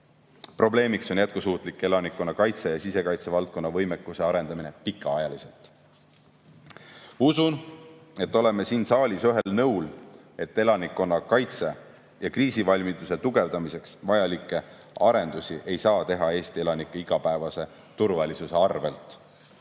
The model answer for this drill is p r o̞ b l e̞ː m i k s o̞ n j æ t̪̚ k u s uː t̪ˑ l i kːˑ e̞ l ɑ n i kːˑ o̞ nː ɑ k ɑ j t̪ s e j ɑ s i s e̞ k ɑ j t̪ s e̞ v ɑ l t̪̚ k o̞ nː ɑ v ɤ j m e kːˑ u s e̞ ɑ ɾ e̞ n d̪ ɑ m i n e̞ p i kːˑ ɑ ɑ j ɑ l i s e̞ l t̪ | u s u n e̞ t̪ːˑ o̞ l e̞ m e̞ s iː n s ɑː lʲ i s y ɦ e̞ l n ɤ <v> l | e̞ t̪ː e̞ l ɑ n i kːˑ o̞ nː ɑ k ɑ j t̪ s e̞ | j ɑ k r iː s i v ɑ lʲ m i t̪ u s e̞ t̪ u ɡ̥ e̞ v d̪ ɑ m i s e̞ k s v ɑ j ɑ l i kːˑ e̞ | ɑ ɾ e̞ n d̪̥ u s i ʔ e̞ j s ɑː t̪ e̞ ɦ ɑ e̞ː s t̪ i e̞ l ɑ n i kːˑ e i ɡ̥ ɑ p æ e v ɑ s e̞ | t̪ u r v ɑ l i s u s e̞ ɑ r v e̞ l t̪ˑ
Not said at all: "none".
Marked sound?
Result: w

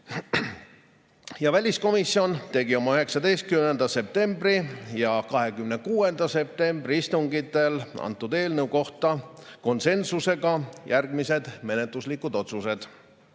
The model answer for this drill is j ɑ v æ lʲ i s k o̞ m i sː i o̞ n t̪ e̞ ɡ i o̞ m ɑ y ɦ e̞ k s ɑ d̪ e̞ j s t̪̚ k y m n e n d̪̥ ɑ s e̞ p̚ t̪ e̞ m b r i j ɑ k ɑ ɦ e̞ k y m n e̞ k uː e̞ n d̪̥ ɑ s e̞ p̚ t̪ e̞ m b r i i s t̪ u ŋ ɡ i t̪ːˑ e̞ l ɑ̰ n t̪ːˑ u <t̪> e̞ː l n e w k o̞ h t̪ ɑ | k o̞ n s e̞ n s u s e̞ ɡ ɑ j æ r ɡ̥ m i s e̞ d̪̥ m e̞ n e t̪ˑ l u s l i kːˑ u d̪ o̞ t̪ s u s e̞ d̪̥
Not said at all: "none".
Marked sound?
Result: d̪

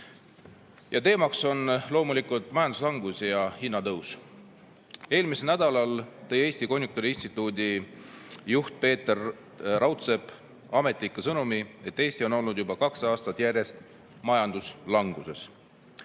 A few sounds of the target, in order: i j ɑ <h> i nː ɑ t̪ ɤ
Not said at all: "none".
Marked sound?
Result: h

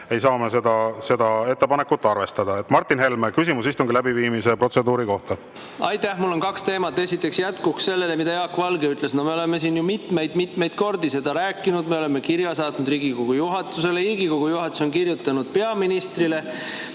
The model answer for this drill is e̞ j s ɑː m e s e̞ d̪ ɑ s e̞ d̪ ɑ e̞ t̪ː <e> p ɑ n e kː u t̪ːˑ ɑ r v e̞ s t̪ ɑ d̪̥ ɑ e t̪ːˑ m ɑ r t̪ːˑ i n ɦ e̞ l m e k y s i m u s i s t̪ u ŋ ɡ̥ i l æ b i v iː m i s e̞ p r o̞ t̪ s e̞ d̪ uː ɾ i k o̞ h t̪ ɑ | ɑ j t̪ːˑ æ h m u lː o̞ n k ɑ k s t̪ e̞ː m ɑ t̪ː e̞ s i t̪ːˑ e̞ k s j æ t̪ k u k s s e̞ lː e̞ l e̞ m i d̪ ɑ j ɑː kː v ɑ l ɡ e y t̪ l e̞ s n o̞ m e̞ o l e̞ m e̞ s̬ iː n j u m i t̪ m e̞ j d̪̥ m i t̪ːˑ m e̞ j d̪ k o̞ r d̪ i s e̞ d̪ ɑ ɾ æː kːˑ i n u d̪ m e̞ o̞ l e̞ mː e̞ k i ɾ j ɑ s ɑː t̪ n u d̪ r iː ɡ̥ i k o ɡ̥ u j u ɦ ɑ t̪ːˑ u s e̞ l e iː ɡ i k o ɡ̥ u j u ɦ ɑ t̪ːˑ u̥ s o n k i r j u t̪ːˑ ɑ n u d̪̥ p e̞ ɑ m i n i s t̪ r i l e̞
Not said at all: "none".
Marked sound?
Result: e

